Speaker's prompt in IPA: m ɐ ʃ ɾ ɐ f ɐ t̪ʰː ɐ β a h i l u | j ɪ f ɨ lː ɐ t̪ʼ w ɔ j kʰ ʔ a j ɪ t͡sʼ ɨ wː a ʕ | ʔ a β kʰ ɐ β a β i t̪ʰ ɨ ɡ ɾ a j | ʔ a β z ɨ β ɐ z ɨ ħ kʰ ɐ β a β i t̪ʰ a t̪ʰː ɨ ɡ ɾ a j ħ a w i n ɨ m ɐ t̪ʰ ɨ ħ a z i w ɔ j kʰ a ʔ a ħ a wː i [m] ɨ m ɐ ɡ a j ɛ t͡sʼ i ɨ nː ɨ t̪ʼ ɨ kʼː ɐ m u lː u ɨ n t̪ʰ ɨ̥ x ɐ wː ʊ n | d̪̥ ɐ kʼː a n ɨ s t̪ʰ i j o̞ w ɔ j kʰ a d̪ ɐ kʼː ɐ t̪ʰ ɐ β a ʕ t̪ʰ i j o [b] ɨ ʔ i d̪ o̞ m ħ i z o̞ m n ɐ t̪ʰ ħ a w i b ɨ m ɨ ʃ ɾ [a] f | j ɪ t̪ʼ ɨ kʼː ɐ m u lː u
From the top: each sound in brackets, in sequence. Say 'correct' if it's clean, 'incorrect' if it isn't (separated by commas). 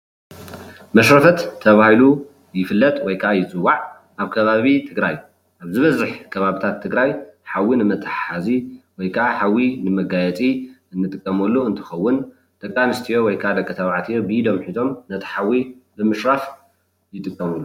incorrect, correct, correct